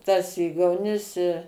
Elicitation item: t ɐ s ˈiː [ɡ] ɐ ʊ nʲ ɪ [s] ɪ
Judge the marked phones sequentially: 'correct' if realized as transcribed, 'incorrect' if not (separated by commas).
correct, correct